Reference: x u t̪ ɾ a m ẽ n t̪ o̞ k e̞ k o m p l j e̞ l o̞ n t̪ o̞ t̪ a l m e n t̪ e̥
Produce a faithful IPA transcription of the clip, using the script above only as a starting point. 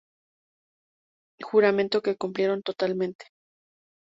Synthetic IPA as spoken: x u ɾ a m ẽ n t̪ o̞ k e̞ k u m p l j e̞ ɾ o̞ n t̪ o̞ t̪ a l m ẽ n t̪ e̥